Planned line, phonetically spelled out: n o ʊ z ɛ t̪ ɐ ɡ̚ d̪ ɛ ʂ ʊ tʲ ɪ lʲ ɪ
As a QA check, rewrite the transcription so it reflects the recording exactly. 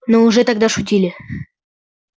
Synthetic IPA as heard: n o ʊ ʐ ɛ t̪ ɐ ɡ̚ d̪ a ʂ ʊ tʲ i lʲ ɪ

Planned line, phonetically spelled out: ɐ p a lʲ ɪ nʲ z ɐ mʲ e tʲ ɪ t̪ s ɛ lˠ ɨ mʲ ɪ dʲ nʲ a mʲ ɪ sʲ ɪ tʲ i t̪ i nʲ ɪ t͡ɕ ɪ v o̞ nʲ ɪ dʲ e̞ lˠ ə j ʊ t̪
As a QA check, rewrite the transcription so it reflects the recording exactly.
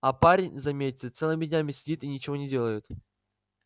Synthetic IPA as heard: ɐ p a ɾʲ ɪ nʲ z ɐ mʲ e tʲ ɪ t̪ s ɛ lˠ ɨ mʲ ɪ dʲ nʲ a mʲ ɪ sʲ ɪ dʲ i t̪ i nʲ ɪ t͡ɕ ɪ v o̞ nʲ ɪ dʲ e̞ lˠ ə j ʊ t̪

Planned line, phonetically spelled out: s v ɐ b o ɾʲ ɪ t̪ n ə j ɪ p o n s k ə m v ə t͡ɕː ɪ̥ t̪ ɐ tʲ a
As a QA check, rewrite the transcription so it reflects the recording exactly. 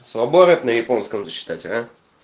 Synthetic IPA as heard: s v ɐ b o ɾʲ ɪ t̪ n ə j ɪ p o n s k ə m z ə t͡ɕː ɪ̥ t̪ a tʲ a

